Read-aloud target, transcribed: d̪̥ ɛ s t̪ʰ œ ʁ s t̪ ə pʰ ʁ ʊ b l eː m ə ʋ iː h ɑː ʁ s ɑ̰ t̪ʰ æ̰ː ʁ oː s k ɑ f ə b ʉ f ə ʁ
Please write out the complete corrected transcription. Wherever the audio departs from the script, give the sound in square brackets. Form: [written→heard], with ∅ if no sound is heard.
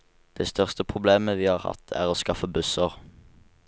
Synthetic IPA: d̪̥ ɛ s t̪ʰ œ ʁ s t̪ ə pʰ ʁ ʊ b l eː m ə ʋ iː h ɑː ʁ [s→h] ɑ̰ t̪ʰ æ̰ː ʁ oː s k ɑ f ə b ʉ [f→s] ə ʁ